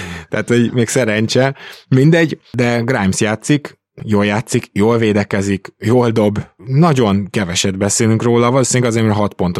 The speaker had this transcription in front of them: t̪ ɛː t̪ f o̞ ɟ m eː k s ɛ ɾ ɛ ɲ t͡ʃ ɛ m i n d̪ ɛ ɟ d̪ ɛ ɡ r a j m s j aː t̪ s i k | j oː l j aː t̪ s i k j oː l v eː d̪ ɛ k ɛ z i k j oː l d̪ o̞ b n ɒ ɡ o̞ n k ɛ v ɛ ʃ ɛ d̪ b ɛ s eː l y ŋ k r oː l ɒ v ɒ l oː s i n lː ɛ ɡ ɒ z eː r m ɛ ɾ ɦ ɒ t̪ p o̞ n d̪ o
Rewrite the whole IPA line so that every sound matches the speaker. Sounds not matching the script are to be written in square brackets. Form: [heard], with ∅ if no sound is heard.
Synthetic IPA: t̪ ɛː t̪ [h] o̞ ɟ m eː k s ɛ ɾ ɛ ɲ t͡ʃ ɛ m i n d̪ ɛ ɟ d̪ ɛ ɡ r a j m s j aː t̪ s i k | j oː l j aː t̪ s i k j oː l v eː d̪ ɛ k ɛ z i k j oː l d̪ o̞ b n ɒ [ɟ] o̞ n k ɛ v ɛ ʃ ɛ d̪ b ɛ s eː l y ŋ k r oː l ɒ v ɒ l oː s i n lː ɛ ɡ ɒ z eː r m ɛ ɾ ɦ ɒ t̪ p o̞ n [t̪] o